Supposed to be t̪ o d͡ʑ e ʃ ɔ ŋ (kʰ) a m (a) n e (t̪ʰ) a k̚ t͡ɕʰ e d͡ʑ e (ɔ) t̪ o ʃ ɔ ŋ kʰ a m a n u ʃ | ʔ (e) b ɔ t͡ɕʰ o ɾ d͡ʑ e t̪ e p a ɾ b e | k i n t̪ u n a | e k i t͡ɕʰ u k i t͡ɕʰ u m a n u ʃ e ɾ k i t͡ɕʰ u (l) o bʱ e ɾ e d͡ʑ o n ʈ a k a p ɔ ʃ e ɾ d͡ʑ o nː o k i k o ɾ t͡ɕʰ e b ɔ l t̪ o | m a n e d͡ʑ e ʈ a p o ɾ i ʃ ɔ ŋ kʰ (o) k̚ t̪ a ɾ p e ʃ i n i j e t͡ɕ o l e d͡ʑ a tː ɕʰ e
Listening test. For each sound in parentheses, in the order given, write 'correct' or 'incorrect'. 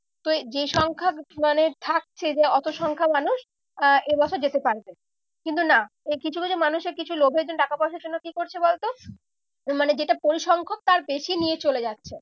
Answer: correct, correct, correct, correct, correct, correct, correct

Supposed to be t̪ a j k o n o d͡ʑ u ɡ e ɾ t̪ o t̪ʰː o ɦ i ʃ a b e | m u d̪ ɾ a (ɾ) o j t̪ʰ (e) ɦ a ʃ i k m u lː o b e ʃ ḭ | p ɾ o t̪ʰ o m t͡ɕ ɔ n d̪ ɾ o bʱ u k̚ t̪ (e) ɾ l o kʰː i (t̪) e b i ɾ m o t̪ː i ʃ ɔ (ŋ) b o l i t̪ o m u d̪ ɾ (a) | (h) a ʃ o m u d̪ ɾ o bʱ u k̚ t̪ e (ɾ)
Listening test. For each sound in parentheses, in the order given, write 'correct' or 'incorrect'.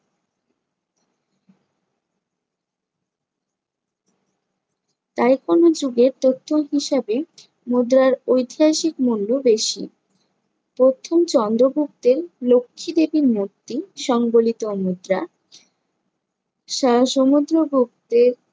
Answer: correct, incorrect, correct, incorrect, correct, correct, incorrect, correct

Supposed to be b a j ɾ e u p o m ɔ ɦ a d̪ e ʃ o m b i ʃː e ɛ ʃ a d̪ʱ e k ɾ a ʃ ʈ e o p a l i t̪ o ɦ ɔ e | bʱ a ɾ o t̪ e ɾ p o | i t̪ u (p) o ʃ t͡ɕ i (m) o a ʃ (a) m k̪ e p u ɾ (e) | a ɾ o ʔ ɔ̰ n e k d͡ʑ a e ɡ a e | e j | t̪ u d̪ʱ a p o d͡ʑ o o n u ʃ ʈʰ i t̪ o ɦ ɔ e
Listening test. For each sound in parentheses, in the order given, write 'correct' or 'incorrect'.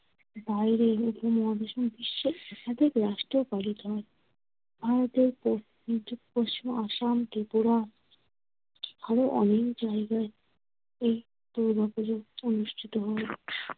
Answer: correct, correct, correct, incorrect

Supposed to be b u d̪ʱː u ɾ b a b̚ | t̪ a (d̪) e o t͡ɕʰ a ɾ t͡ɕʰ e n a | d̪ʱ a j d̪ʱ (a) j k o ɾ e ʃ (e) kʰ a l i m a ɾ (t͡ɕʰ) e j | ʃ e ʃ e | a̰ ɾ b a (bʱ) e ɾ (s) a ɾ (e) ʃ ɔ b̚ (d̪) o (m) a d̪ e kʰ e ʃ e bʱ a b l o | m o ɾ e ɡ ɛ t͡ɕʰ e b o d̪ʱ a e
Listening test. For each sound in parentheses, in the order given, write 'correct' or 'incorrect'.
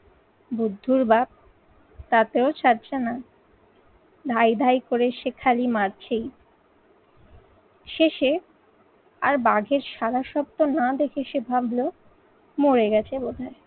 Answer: incorrect, correct, correct, correct, incorrect, incorrect, incorrect, incorrect, incorrect

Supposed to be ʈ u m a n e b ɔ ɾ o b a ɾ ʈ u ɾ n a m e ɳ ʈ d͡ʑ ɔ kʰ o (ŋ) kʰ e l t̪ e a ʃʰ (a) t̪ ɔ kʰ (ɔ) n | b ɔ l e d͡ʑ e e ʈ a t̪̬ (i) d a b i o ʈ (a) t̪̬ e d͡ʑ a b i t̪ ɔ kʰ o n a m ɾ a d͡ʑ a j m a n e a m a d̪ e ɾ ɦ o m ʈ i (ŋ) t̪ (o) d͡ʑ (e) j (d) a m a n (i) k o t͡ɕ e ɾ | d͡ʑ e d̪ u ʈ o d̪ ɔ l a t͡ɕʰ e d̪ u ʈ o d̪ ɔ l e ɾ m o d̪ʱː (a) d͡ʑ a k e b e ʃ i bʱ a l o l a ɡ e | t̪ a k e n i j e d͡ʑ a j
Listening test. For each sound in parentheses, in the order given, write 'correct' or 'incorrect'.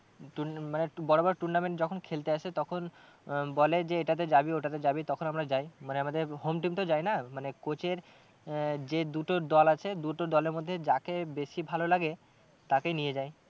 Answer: incorrect, incorrect, incorrect, incorrect, correct, incorrect, correct, incorrect, incorrect, incorrect, incorrect

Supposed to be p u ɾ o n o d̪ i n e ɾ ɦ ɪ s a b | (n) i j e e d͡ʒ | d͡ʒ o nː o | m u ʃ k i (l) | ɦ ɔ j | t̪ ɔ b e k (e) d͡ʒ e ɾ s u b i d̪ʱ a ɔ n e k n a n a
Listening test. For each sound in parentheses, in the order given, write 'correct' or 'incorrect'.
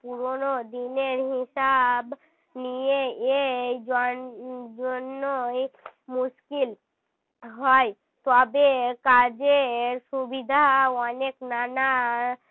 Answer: correct, correct, incorrect

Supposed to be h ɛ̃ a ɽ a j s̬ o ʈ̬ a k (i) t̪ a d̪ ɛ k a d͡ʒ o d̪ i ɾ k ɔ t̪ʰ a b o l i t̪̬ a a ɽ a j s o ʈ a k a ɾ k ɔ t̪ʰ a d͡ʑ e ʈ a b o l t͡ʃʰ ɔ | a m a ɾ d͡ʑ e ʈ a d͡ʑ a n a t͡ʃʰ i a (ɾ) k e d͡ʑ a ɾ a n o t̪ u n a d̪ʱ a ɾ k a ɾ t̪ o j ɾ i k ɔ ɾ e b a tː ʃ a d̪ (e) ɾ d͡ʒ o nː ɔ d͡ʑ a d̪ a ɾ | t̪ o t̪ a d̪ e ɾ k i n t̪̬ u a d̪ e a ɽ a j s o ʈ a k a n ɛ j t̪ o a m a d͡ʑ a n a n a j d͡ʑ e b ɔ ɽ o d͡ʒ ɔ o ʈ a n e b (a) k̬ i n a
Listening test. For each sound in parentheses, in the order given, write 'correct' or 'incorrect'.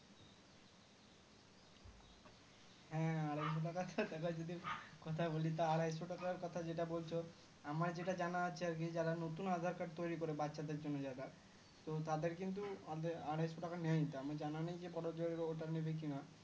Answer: incorrect, correct, correct, incorrect

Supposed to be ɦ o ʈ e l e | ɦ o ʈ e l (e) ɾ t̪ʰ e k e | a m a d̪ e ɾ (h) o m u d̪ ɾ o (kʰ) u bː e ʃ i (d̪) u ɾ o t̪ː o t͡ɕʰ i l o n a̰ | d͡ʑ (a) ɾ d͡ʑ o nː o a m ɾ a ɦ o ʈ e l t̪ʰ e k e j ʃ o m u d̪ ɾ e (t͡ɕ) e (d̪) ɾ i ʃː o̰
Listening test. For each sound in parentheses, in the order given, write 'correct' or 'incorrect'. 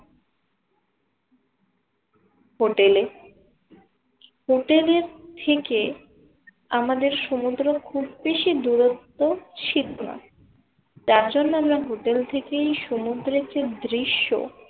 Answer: correct, incorrect, correct, correct, correct, correct, correct

